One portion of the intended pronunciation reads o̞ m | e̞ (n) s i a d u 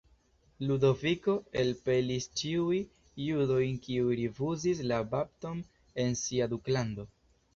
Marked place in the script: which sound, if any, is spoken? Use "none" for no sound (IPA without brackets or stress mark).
n